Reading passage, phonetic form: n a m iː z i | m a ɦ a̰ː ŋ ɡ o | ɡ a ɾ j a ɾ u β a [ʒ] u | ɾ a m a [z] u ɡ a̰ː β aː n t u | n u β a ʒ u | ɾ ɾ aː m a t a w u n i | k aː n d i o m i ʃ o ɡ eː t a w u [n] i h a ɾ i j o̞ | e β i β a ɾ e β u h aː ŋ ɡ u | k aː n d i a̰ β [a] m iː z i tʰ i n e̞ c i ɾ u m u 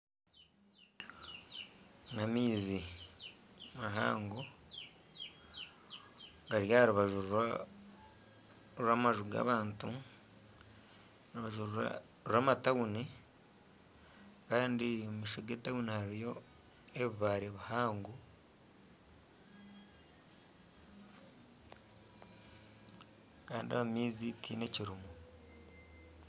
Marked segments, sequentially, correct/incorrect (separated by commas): correct, incorrect, correct, correct